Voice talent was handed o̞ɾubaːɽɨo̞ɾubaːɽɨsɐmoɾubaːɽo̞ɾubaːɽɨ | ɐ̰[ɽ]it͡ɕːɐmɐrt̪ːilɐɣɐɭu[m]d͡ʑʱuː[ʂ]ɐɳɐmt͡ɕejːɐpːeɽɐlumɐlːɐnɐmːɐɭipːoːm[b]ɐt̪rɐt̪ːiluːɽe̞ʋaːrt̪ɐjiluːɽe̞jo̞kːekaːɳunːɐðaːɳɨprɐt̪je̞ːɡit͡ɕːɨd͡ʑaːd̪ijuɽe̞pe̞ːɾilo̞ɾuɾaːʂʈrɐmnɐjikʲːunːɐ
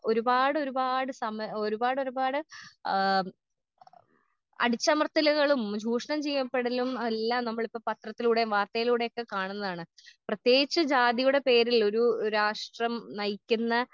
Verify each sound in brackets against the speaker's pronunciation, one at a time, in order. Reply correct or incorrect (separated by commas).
correct, correct, correct, incorrect